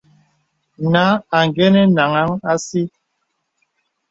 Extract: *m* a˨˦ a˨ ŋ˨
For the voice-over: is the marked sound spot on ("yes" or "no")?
no